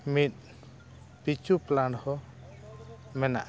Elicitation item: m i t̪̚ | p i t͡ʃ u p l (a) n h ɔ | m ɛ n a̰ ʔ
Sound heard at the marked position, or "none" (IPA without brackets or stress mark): a